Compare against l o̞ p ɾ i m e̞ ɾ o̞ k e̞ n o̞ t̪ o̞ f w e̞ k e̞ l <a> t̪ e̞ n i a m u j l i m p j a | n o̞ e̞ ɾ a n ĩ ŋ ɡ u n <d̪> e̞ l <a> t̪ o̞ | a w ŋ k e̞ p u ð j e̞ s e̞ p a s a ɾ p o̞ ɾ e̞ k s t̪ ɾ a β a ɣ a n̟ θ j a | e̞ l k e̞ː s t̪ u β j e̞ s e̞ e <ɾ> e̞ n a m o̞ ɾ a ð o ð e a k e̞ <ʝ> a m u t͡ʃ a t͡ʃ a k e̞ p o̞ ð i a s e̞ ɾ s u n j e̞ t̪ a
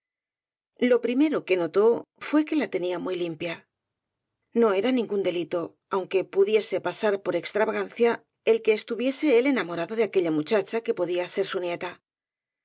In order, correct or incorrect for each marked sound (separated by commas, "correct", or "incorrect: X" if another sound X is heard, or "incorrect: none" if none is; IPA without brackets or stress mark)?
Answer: correct, correct, incorrect: i, incorrect: l, incorrect: ʎ